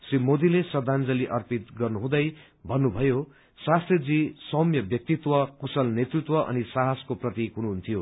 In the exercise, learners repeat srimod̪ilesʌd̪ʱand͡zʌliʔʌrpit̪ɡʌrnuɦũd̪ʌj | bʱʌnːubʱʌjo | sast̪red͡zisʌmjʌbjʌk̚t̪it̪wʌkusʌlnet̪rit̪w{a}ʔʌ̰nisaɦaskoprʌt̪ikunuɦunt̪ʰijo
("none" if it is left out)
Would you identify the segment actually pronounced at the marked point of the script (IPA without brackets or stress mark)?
ʌ